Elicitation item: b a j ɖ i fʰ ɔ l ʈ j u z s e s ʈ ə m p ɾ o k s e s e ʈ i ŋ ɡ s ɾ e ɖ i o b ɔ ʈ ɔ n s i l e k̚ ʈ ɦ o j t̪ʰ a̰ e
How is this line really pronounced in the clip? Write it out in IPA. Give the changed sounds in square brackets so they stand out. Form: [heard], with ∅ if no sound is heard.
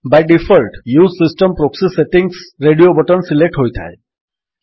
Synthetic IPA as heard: b a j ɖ i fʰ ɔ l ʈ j u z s [i] s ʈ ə m p ɾ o k s [i] s e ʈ i ŋ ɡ s ɾ e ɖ i o b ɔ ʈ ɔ n s i l e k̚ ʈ ɦ o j t̪ʰ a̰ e